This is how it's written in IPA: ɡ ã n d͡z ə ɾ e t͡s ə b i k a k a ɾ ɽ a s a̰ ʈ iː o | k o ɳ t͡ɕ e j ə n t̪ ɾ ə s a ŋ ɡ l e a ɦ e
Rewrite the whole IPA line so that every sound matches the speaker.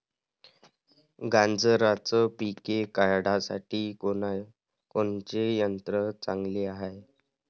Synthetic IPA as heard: ɡ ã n d͡z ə ɾ a t͡s ə p i k e k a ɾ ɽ a s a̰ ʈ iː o | k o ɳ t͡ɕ e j ə n t̪ ɾ ə t͡s a ŋ ɡ l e a ɦ e